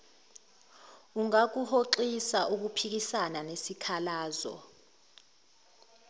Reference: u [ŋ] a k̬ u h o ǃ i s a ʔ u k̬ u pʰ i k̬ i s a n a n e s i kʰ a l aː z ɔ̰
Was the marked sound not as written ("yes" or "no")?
no